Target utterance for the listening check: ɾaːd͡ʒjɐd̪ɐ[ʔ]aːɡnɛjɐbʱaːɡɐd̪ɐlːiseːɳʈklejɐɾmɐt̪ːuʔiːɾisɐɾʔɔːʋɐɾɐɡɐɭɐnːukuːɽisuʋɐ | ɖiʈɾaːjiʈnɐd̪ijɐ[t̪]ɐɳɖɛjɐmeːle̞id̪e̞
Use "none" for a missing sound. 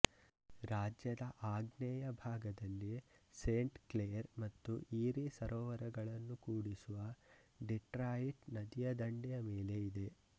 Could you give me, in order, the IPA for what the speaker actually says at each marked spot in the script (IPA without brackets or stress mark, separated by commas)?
ʔ, d̪